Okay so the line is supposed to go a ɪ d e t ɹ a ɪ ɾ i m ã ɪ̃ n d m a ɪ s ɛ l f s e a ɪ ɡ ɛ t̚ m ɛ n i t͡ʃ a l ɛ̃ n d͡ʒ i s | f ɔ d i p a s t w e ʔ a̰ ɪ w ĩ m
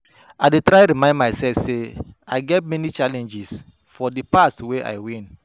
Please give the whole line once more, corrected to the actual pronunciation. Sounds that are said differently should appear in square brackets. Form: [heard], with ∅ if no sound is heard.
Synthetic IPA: a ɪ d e t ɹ a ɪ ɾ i m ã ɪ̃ n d m a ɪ s ɛ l f s e a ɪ ɡ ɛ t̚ m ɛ n i t͡ʃ a l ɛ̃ n d͡ʒ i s | f ɔ d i p a s t w e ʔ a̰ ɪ w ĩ [n]